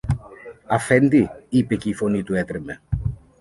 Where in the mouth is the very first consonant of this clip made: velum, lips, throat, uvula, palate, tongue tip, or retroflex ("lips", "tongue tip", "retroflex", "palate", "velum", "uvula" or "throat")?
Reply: lips